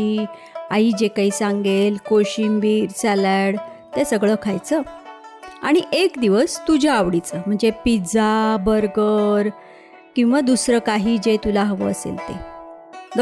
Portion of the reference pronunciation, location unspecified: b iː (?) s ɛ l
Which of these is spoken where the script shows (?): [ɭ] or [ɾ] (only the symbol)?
ɾ